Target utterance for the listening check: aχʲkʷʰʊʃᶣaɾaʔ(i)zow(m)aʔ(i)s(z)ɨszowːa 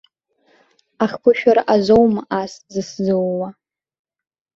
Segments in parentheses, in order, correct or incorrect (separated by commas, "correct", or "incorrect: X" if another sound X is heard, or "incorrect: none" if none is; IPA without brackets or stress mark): incorrect: a, correct, incorrect: a, correct